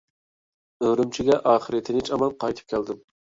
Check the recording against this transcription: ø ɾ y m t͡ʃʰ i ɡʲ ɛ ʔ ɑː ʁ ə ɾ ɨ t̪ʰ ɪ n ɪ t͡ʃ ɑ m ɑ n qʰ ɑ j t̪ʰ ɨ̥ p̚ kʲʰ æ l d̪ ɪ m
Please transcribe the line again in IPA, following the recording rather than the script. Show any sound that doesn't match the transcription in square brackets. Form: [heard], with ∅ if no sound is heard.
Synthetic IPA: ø ɾ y m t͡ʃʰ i ɡʲ ɛ ʔ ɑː [χ] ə ɾ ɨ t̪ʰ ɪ n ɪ t͡ʃ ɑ m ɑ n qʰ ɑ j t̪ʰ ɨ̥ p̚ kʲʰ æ l d̪ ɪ m